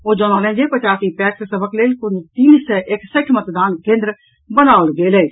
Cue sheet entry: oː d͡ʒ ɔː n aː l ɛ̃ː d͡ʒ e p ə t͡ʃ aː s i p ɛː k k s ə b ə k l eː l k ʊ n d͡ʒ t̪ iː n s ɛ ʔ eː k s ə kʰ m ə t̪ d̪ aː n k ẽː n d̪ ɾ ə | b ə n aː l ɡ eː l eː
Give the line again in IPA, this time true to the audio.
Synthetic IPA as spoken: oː d͡ʒ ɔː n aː l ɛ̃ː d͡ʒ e p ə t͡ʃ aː s i p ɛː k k s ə b ə k l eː l k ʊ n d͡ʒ t̪ iː n s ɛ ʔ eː k s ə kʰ m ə t̪ d̪ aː n k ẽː n d̪ ɾ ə | b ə n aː l ɡ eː l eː

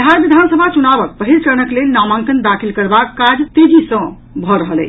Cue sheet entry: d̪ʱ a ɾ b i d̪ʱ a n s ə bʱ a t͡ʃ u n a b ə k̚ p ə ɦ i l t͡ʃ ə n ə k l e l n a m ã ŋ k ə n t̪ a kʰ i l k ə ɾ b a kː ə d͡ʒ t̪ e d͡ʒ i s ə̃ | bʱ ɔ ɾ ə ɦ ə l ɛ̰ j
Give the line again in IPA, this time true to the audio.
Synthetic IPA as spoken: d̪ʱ a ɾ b i d̪ʱ a n s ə bʱ a t͡ʃ u n a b ə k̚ p ə ɦ i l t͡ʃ ə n ə k l e l n a m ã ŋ k ə n d̪ a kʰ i l k ə ɾ b a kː a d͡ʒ t̪ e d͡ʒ i s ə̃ | bʱ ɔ ɾ ə ɦ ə l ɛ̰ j

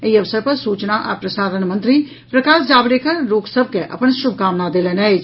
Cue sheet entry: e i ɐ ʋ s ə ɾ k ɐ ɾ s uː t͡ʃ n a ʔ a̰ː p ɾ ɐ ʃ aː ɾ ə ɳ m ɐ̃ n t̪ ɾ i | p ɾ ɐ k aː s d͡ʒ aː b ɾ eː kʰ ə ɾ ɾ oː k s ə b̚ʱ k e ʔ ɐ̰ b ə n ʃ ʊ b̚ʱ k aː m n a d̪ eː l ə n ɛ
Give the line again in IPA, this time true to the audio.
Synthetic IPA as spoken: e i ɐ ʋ s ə ɾ p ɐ ɾ s uː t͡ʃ n a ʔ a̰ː p ɾ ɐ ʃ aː ɾ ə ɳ m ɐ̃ n t̪ ɾ i | p ɾ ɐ k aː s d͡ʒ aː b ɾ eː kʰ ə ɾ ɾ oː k s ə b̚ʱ k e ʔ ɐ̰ p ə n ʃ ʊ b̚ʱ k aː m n a d̪ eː l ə n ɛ

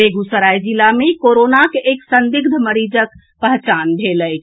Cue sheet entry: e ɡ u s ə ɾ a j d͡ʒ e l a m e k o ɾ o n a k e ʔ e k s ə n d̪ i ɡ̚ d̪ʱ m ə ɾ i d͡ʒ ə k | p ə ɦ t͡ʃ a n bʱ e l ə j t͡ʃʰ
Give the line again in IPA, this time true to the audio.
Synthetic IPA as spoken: e ɡ u s ə ɾ a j d͡ʒ i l a m e k o ɾ o n a k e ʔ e k s ə n d̪ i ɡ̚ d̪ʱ m ə ɾ i d͡ʒ ə k | p ə ɦ t͡ʃ a n bʱ e l ə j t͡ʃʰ

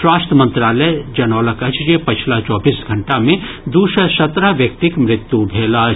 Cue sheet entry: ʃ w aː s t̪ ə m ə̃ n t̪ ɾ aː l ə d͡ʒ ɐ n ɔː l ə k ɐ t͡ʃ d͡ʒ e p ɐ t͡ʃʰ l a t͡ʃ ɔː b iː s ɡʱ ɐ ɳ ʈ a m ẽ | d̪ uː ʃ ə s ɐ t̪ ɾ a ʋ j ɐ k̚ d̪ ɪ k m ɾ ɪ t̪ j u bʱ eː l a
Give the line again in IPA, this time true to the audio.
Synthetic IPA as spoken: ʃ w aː s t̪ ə m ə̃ n t̪ ɾ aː l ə d͡ʒ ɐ n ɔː l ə k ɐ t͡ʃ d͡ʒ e p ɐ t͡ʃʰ l a t͡ʃ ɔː b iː s ɡʱ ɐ ɳ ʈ a m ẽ | d̪ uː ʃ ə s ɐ t̪ ɾ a ʋ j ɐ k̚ t̪ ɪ k m ɾ ɪ t̪ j u bʱ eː l a

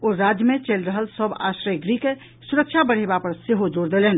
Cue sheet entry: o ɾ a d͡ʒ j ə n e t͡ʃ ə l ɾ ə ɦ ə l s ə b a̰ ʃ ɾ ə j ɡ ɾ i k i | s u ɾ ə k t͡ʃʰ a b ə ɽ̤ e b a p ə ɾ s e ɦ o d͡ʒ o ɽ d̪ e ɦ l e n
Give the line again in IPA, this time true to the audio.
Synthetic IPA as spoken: o ɾ a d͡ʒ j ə m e t͡ʃ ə l ɾ ə ɦ ə l s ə b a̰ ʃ ɾ ə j ɡ ɾ i k e | s u ɾ ə k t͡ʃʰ a b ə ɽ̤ e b a p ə ɾ s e ɦ o d͡ʒ o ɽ d̪ e l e n

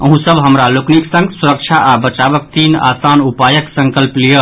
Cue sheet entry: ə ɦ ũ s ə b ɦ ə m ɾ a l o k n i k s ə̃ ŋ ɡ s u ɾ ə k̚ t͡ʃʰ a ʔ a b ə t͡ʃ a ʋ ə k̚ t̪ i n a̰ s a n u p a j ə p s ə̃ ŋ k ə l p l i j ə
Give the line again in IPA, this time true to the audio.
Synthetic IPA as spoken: ə ɦ ũ s ə b ɦ ə m ɾ a l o k n i k s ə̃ ŋ ɡ s u ɾ ə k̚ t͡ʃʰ a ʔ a b ə t͡ʃ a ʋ ə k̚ t̪ i n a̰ s a n u p a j ə k s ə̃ ŋ k ə l p l i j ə

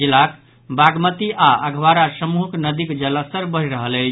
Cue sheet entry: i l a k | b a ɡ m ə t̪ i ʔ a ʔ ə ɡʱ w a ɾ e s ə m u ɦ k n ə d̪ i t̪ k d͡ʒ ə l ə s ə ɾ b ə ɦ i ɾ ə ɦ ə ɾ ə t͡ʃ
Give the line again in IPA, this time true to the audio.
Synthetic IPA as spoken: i l a k | b a ɡ m ə t̪ i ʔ a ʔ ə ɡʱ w a ɾ a s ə m u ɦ k n ə d̪ i k d͡ʒ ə l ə s ə ɾ b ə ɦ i ɾ ə ɦ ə l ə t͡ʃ

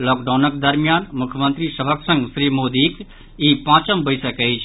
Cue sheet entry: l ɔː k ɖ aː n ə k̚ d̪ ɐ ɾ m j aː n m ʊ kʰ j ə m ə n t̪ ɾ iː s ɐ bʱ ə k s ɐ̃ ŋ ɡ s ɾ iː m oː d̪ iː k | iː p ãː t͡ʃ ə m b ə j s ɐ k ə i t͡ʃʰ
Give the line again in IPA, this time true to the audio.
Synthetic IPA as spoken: l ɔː k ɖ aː n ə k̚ d̪ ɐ ɾ m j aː n m ʊ kʰ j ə m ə n t̪ ɾ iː s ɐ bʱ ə k s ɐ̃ ŋ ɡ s ɾ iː m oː d̪ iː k | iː p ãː t͡ʃ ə m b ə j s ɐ k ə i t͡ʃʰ

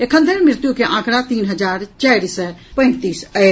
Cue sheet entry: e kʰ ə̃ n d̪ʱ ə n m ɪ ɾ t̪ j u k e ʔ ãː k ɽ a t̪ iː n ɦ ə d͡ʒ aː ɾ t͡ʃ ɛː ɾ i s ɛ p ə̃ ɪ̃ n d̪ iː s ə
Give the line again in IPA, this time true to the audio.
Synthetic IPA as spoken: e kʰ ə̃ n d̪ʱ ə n m ɪ ɾ t̪ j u k e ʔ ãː k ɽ a t̪ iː n ɦ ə d͡ʒ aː ɾ t͡ʃ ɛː ɾ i s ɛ p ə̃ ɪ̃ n t̪ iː s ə

